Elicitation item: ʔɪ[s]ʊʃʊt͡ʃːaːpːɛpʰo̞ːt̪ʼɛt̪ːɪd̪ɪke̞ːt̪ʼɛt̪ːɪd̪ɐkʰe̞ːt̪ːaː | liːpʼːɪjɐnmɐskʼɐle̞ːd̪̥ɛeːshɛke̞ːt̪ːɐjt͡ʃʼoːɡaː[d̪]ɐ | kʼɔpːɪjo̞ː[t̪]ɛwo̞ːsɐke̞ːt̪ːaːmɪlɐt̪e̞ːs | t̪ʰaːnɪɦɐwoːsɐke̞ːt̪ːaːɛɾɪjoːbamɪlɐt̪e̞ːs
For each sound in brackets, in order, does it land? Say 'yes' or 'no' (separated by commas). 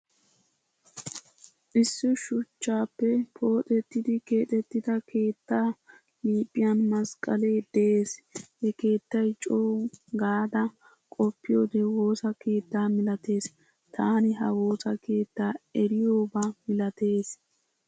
no, yes, no